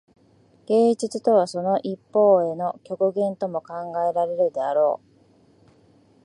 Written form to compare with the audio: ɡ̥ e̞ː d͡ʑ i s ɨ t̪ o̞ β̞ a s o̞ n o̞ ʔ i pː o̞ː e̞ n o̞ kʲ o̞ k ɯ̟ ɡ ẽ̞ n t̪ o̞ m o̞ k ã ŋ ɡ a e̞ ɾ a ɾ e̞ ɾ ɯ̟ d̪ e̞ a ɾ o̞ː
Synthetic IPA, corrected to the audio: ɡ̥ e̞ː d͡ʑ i t͡s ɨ t̪ o̞ β̞ a s o̞ n o̞ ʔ i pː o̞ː e̞ n o̞ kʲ o̞ k ɯ̟ ɡ ẽ̞ n t̪ o̞ m o̞ k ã ŋ ɡ a e̞ ɾ a ɾ e̞ ɾ ɯ̟ d̪ e̞ a ɾ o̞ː